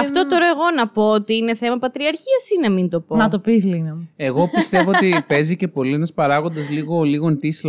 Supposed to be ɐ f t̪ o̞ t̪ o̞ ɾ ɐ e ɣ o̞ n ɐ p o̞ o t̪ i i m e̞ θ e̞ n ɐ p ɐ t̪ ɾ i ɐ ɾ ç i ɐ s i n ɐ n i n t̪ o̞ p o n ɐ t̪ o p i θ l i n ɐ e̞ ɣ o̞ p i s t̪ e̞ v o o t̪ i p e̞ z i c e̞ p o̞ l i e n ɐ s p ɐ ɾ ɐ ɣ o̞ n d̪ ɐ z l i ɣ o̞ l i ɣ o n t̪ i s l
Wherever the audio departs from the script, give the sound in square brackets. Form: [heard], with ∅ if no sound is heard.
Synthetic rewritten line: ɐ f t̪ o̞ t̪ o̞ ɾ ɐ e ɣ o̞ n ɐ p o̞ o t̪ i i [n] e̞ θ e̞ [m] ɐ p ɐ t̪ ɾ i ɐ ɾ ç i ɐ s i n ɐ [m] i n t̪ o̞ p o n ɐ t̪ o p i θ l i n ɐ e̞ ɣ o̞ p i s t̪ e̞ v o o t̪ i p e̞ z i c e̞ p o̞ l i e n ɐ s p ɐ ɾ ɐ ɣ o̞ n d̪ ɐ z l i ɣ o̞ l i ɣ o n t̪ i s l